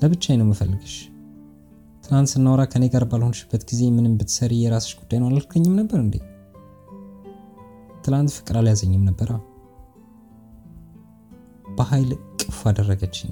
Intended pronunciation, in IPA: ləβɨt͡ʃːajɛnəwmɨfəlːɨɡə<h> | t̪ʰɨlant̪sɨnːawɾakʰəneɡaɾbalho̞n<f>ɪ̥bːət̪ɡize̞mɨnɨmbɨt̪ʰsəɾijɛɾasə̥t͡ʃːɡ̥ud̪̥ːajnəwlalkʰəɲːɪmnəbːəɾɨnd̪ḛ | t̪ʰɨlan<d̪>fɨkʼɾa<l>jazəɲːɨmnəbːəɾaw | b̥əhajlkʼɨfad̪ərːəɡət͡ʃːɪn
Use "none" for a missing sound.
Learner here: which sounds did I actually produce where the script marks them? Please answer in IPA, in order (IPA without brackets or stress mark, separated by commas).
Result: ʃ, ʃ, t̪, l